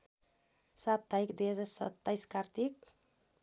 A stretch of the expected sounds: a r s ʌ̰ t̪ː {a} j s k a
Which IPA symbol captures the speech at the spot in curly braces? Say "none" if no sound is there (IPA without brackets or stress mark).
a